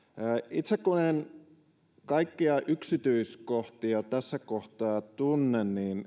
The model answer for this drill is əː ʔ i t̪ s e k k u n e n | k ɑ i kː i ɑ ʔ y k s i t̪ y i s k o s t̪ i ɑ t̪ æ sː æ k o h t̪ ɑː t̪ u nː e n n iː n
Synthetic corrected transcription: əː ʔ i t̪ s e k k u n e n | k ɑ i kː i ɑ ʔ y k s i t̪ y i s k o h t̪ i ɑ t̪ æ sː æ k o h t̪ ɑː t̪ u nː e n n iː n